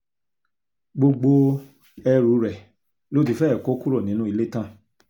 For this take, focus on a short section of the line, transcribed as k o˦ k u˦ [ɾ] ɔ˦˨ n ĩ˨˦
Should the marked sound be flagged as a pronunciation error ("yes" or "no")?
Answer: no